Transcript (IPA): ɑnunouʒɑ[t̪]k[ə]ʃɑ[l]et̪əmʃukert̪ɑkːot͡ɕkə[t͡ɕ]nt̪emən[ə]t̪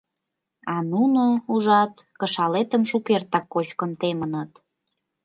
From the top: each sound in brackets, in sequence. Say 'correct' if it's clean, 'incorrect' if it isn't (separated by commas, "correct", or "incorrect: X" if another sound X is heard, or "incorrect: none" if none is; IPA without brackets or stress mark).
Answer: correct, correct, correct, incorrect: none, correct